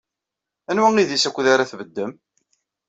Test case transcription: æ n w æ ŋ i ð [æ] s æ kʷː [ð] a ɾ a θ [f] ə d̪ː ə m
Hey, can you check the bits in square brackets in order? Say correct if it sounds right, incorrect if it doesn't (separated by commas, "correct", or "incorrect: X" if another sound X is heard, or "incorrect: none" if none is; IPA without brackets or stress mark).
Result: incorrect: i, correct, incorrect: v